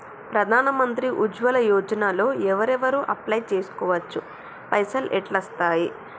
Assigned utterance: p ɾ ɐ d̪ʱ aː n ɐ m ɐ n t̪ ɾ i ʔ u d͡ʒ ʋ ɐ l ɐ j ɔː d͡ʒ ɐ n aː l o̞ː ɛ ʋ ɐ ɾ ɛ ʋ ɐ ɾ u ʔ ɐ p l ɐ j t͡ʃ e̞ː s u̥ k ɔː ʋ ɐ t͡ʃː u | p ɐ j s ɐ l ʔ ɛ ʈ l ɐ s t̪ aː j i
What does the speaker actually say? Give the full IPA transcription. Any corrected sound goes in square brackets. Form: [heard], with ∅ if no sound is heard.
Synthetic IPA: p ɾ ɐ d̪ʱ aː n ɐ m ɐ n t̪ ɾ i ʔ u d͡ʒ ʋ ɐ l ɐ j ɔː d͡ʒ ɐ n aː l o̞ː ɛ ʋ ɐ ɾ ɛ ʋ ɐ ɾ u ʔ ɐ p l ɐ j t͡ʃ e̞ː s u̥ k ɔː ʋ ɐ t͡ʃː u | p ɐ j s ɐ l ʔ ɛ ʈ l ɐ s t̪ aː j i